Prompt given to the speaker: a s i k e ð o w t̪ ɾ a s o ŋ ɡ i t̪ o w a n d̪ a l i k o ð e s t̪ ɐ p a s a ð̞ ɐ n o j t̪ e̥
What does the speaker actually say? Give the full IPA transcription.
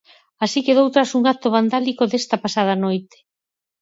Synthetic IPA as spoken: a s i k e ð o w t̪ ɾ a s u ŋ ɡ a t̪ o β a n d̪ a l i k o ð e s t̪ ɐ p a s a ð̞ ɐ n o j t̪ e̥